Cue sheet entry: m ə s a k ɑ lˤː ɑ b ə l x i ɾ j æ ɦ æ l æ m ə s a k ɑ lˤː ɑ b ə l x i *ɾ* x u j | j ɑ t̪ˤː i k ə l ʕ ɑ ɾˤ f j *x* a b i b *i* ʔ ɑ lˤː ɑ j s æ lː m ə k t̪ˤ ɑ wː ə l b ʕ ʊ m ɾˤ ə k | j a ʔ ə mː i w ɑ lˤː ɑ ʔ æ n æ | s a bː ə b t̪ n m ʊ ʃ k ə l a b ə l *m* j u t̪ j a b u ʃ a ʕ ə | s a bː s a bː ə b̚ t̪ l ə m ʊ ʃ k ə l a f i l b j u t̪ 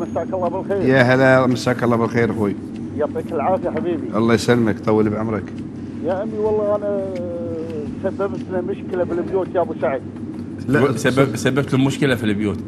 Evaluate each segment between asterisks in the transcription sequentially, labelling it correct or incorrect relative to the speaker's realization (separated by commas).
correct, incorrect, correct, incorrect